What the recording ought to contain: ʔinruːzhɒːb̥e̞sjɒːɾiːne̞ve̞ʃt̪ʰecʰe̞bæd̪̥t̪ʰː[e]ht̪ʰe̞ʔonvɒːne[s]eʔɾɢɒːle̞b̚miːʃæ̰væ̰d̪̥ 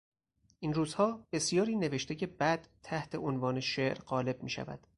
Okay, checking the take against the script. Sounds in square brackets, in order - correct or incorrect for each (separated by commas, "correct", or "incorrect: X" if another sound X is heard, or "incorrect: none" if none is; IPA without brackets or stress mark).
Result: incorrect: æ, incorrect: ʃ